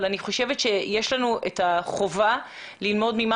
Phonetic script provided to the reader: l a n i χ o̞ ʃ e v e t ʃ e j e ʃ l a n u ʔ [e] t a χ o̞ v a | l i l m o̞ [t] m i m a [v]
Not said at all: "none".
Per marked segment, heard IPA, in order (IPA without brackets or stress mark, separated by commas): e, d, none